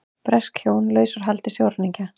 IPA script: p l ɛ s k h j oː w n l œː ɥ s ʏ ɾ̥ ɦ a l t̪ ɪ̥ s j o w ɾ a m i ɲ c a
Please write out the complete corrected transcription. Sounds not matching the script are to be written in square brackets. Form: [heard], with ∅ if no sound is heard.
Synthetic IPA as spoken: p [ɾ] ɛ s k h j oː w n l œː ɥ s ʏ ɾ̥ ɦ a l t̪ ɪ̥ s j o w ɾ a [n] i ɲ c a